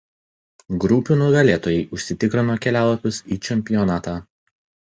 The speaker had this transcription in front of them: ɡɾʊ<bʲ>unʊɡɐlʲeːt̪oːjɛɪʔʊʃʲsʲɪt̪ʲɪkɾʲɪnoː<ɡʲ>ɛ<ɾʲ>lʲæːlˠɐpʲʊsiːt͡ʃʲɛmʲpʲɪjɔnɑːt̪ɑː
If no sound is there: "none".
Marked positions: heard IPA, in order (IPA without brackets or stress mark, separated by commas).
pʲ, kʲ, none